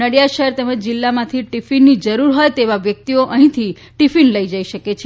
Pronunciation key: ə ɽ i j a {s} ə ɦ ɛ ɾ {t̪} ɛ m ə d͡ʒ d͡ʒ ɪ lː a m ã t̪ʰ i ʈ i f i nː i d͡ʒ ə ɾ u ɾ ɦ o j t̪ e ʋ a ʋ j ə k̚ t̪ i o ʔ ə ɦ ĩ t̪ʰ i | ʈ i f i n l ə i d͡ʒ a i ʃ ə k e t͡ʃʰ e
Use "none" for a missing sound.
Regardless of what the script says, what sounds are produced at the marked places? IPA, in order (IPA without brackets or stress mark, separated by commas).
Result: ʃ, t̪